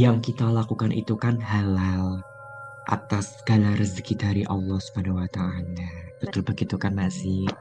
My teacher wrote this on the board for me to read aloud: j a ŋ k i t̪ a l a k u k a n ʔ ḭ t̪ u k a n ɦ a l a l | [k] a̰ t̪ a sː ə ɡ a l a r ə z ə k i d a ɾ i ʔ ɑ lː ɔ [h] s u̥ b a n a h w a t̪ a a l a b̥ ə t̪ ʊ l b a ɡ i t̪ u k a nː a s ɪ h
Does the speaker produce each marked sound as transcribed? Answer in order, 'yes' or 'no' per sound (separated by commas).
no, yes